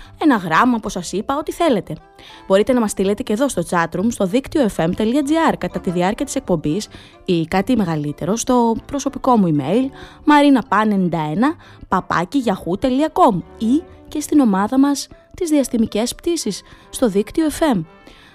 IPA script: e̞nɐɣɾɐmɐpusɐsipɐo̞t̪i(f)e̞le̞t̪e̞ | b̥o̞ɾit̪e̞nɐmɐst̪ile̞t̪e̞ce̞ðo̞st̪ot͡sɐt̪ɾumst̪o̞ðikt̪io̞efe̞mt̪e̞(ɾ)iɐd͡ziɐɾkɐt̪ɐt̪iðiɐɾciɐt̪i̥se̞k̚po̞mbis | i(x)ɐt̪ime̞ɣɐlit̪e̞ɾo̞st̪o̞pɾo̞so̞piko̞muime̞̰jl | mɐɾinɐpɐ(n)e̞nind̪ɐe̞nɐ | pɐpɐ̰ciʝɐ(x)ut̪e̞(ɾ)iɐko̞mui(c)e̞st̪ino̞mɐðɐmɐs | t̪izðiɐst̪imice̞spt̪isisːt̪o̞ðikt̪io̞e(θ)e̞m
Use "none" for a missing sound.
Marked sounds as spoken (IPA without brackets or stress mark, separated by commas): θ, l, k, n, x, l, c, f